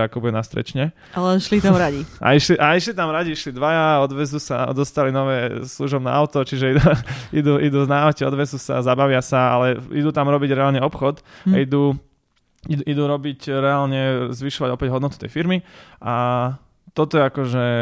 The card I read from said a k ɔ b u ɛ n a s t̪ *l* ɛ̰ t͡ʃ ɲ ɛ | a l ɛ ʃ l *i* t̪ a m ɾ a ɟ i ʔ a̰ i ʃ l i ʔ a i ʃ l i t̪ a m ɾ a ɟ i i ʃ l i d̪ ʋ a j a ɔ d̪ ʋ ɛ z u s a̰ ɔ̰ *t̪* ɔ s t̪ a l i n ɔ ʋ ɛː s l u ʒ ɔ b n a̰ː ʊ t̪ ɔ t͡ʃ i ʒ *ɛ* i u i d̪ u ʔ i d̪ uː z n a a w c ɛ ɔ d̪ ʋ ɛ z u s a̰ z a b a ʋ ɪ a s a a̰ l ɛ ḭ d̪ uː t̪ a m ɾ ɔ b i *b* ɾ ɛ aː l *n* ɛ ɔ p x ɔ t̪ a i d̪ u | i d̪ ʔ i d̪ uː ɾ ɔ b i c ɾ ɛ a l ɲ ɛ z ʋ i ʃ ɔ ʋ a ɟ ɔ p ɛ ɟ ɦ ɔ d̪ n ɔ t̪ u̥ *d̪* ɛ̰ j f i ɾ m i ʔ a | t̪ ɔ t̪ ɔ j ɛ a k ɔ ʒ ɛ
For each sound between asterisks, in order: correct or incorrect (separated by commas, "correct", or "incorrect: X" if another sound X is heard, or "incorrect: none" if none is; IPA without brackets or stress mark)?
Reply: incorrect: ɾ, correct, incorrect: d̪, correct, incorrect: ɟ, incorrect: ɲ, incorrect: t̪